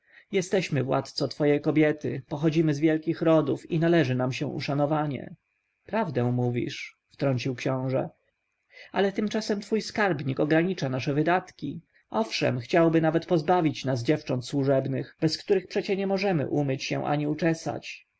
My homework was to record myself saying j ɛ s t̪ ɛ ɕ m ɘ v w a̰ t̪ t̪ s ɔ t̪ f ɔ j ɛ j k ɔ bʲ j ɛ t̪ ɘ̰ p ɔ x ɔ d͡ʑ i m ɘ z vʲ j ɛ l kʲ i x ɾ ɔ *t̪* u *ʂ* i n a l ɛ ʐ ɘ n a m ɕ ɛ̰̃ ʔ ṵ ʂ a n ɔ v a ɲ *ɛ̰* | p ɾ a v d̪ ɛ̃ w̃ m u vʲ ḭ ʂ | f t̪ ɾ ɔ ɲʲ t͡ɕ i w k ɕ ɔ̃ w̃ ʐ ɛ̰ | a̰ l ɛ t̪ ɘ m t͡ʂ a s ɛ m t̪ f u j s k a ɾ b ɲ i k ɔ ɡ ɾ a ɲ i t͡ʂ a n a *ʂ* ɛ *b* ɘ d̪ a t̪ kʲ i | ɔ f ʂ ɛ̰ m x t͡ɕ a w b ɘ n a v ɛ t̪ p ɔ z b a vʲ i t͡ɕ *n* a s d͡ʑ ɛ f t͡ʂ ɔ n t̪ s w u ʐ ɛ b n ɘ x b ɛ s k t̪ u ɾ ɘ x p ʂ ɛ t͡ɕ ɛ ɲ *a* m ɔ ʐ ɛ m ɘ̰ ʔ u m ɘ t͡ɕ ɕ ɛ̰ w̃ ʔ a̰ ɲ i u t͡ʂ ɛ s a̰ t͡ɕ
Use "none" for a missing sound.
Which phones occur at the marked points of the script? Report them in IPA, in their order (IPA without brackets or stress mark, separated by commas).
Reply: d̪, f, ɛ̰, ʂ, v, n, ɛ